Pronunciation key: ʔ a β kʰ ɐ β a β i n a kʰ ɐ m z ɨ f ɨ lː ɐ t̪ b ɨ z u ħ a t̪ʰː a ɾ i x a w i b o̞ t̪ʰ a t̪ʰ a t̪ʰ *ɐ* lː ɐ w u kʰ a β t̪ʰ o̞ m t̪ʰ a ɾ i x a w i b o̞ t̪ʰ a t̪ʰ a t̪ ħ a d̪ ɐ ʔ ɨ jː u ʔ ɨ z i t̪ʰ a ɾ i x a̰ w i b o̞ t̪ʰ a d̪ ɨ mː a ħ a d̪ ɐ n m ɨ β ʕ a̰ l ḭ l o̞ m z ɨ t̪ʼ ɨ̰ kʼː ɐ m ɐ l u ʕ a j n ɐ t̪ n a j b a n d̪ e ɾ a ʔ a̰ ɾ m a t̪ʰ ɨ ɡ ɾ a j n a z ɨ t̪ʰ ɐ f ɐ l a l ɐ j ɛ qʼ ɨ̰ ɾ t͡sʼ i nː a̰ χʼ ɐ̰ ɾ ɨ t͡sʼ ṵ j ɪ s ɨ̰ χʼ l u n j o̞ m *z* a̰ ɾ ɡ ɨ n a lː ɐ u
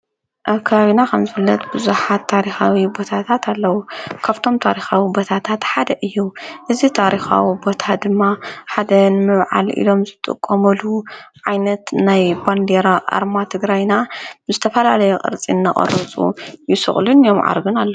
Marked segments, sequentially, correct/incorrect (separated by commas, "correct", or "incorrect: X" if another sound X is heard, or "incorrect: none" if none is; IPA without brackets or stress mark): incorrect: a, incorrect: ʕ